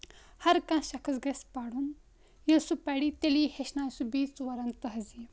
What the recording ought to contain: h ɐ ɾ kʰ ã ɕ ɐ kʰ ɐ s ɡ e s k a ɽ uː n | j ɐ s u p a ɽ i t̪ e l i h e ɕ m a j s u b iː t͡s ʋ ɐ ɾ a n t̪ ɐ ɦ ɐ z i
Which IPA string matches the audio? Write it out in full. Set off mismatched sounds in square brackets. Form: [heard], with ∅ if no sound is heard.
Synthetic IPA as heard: h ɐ ɾ [k] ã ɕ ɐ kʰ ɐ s ɡ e s [p] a ɽ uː n | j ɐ s u p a ɽ i t̪ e l i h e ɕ [n] a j s u b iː t͡s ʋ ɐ ɾ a n t̪ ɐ ɦ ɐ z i